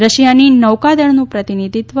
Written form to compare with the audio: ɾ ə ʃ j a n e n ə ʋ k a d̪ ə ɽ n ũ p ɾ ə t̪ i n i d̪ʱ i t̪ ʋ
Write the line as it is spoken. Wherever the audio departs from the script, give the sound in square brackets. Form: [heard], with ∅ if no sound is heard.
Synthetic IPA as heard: ɾ ə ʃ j a n [i] n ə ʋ k a d̪ ə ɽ n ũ p ɾ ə t̪ i n i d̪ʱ i t̪ ʋ